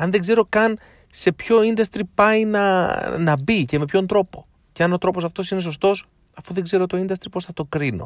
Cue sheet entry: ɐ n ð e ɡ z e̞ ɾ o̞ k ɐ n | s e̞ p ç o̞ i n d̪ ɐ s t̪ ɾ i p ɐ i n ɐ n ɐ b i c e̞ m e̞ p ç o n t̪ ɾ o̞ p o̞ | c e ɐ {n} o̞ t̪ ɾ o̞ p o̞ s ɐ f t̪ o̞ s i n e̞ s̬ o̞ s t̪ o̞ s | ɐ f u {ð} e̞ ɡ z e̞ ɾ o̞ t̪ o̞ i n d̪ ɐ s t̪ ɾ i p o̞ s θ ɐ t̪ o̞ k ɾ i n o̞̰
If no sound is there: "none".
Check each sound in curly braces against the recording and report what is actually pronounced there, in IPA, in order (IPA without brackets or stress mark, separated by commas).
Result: n, ð